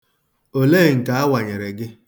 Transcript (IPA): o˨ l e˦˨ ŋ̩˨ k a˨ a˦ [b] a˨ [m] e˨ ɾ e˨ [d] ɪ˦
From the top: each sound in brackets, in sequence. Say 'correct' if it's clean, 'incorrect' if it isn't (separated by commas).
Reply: incorrect, incorrect, incorrect